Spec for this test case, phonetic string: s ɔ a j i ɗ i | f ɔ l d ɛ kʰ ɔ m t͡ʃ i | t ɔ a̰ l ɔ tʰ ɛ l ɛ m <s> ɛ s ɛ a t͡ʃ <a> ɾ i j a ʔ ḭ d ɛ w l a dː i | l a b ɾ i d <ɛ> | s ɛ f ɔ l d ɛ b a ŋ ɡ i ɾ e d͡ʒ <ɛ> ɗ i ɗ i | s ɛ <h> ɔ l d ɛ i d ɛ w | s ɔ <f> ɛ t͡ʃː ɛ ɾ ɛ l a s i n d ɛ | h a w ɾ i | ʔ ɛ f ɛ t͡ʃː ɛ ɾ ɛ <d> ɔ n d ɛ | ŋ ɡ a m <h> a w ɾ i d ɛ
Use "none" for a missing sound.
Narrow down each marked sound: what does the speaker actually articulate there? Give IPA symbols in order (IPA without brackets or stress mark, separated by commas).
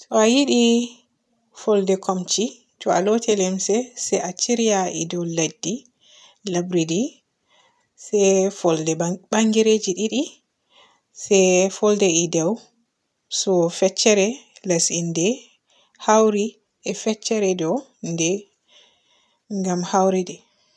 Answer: s, i, i, i, f, f, d, h